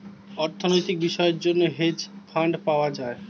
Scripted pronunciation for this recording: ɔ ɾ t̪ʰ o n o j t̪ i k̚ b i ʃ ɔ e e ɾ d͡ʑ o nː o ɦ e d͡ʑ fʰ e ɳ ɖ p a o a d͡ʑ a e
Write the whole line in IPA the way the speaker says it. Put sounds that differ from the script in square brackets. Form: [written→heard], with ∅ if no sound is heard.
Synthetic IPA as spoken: ɔ ɾ t̪ʰ o n o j t̪ i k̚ b i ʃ ɔ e e ɾ d͡ʑ o nː o ɦ e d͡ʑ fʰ [e→a] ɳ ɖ p a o a d͡ʑ a e